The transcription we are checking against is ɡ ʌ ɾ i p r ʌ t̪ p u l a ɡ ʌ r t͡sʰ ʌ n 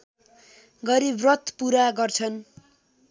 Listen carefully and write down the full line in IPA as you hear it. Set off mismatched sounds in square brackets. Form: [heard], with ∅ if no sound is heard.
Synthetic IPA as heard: ɡ ʌ ɾ i [b] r ʌ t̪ p u [ɾ] a ɡ ʌ r t͡sʰ ʌ n